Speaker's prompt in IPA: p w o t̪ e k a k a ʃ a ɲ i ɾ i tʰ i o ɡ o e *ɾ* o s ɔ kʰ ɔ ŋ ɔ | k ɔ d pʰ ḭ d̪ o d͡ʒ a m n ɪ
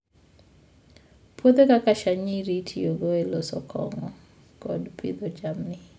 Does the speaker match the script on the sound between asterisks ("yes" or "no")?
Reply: no